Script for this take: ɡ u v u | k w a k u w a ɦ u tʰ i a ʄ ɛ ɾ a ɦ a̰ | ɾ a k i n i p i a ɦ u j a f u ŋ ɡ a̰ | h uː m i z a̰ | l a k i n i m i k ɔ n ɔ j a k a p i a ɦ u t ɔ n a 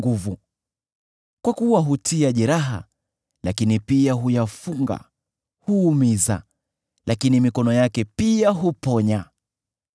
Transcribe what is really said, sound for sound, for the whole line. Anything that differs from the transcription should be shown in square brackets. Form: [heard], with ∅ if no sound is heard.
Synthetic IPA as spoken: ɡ u v u | k w a k u w a ɦ u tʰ i a ʄ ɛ ɾ a ɦ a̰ | [l] a k i n i p i a ɦ u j a f u ŋ ɡ a̰ | h uː m i z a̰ | l a k i n i m i k ɔ n ɔ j a k [ɛ] p i a ɦ u [p] ɔ [ɲ] a